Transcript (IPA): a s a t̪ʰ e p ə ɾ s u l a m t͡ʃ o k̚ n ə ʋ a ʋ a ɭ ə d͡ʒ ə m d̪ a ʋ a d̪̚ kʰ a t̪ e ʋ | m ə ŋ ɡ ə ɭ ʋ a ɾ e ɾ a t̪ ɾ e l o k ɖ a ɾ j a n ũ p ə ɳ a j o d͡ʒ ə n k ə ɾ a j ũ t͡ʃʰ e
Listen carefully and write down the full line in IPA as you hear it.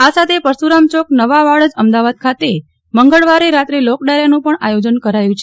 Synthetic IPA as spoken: a s a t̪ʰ e p ə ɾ s u ɾ a m t͡ʃ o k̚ n ə ʋ a ʋ a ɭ ə d͡ʒ ə m d̪ a ʋ a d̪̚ kʰ a t̪ e | m ə ŋ ɡ ə ɭ ʋ a ɾ e ɾ a t̪ ɾ e l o k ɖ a ɾ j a n ũ p ə ɳ a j o d͡ʒ ə n k ə ɾ a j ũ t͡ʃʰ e